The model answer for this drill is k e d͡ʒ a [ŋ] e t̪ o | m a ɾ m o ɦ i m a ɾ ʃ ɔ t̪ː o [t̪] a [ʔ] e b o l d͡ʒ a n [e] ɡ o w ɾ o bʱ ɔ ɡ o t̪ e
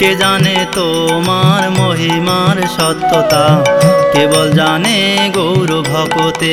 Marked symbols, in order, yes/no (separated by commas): no, yes, no, yes